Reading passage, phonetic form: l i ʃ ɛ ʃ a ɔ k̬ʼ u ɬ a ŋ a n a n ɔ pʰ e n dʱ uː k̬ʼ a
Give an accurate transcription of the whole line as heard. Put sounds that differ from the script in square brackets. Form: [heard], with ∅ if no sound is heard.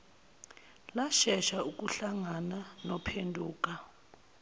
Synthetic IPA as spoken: l [a] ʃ ɛ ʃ a [u] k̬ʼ u ɬ a ŋ a n a n ɔ pʰ e n dʱ uː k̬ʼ a